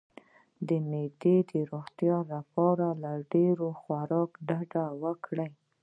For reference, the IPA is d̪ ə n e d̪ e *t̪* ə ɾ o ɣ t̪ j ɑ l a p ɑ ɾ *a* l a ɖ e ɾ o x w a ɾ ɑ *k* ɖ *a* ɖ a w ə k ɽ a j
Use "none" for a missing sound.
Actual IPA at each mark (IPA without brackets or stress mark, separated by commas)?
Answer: d̪, a, k, a